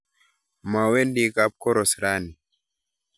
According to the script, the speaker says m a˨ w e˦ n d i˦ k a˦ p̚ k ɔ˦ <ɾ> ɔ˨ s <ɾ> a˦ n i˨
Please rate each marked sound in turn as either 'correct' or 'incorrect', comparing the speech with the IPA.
correct, correct

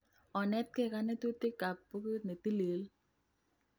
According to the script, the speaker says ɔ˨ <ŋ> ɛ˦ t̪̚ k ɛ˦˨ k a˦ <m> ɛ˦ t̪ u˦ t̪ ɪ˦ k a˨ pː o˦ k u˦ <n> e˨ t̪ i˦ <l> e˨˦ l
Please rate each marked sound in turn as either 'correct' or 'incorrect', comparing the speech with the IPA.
incorrect: n, incorrect: n, correct, correct

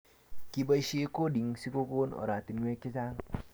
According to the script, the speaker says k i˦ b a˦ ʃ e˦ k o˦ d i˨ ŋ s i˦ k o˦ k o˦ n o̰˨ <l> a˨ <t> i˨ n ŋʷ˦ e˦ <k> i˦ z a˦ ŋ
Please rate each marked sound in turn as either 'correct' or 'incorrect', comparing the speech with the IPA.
incorrect: ɾ, correct, correct

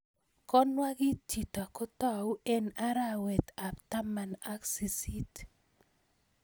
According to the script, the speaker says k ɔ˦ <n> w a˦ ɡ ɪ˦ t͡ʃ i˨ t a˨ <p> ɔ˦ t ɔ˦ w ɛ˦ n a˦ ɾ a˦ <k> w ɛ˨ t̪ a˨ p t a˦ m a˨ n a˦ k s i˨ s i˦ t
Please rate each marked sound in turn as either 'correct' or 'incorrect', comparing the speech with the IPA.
correct, incorrect: k, incorrect: none

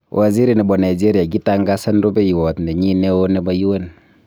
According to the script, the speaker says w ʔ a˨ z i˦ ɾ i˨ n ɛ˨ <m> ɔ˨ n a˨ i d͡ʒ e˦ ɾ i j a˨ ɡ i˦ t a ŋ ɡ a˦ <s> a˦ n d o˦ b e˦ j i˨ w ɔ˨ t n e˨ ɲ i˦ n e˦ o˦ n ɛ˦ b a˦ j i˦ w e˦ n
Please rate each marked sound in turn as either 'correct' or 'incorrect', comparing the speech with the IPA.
incorrect: b, correct

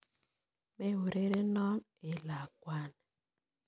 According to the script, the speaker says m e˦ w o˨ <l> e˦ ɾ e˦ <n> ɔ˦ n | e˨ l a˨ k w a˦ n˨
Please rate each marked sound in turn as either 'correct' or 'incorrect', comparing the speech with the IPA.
incorrect: ɾ, correct

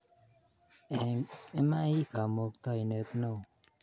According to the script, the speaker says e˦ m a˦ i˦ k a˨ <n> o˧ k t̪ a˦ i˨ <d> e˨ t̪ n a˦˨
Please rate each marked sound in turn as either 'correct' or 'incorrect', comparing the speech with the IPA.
incorrect: m, incorrect: n

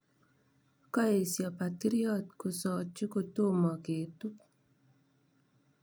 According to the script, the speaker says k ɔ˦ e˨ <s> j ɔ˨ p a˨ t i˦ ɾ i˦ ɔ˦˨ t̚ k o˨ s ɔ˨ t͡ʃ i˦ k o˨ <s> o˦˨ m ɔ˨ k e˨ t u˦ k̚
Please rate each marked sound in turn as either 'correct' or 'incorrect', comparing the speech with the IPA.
correct, incorrect: t

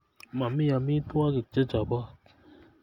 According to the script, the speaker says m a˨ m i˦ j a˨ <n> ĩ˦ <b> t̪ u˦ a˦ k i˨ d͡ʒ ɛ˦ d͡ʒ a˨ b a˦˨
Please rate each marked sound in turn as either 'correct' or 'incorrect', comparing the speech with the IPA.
incorrect: m, incorrect: none

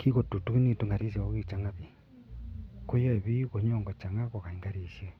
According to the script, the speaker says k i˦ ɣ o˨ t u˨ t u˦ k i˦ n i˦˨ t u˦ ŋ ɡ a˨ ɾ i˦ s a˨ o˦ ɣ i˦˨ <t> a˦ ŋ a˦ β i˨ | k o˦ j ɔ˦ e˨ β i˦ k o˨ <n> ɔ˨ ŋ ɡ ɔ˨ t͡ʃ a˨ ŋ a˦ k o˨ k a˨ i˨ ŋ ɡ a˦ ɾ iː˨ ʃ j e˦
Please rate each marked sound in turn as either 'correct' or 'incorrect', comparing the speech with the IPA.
incorrect: t͡ʃ, incorrect: ɲ

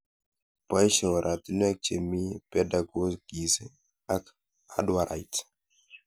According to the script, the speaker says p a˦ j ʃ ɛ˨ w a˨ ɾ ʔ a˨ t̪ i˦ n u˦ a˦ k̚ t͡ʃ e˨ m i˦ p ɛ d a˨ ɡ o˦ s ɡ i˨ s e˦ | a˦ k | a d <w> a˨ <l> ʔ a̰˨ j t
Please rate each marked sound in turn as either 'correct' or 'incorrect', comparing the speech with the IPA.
correct, incorrect: ɾ

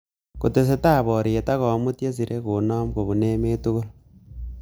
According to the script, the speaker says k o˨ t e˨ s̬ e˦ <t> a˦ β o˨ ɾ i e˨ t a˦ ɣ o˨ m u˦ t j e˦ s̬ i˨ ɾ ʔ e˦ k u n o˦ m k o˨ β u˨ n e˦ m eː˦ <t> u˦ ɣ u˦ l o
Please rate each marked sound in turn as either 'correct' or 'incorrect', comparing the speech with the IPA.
correct, correct

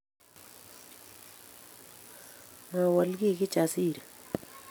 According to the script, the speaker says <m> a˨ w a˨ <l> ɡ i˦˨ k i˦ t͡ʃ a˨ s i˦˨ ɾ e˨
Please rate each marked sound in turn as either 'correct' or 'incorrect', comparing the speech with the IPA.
incorrect: ŋ, correct

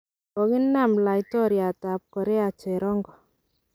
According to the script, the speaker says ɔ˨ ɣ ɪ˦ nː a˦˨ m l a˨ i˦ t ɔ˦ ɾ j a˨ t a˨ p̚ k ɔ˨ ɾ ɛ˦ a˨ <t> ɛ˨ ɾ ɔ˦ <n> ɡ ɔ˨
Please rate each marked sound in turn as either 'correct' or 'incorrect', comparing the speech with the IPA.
incorrect: t͡ʃ, incorrect: ŋ

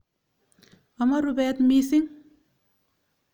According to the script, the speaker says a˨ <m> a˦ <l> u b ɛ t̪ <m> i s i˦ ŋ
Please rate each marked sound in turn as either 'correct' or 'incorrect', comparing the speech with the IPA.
correct, incorrect: ɾ, correct

